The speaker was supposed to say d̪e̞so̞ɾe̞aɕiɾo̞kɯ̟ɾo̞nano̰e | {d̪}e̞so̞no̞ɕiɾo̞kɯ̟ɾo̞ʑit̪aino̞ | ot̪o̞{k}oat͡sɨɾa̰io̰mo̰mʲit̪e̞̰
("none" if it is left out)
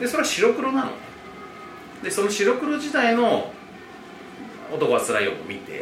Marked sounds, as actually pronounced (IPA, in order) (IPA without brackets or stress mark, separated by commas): d̪, k